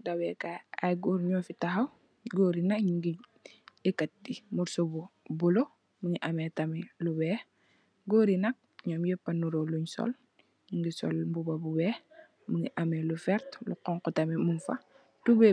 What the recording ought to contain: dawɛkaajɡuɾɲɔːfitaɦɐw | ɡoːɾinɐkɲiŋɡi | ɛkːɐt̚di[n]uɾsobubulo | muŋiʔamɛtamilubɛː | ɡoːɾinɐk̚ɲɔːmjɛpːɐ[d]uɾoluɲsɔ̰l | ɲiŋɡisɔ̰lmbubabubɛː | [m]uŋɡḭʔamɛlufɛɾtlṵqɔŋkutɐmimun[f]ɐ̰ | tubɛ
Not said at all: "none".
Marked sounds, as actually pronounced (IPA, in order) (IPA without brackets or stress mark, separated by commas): m, n, m, f